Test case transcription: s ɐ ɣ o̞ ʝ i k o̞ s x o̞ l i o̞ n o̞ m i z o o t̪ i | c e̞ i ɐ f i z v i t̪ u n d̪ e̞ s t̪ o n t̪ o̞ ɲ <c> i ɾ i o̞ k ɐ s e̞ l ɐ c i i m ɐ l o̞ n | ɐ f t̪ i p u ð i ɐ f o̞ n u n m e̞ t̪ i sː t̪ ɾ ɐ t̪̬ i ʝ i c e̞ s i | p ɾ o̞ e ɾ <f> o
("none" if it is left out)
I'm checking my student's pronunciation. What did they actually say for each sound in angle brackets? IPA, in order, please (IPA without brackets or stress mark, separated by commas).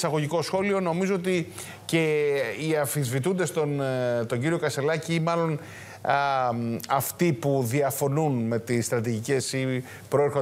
ɟ, x